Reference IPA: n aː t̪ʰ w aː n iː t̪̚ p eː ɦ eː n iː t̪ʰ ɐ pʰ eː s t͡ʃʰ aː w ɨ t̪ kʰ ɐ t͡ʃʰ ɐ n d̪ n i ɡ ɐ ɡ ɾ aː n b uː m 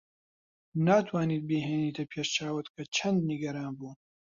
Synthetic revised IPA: n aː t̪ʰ w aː n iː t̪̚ b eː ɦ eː n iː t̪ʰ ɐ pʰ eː ʃ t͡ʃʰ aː w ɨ t̪ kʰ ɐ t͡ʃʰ ɐ n d̪ n i ɡ ɐ ɾ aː n b uː n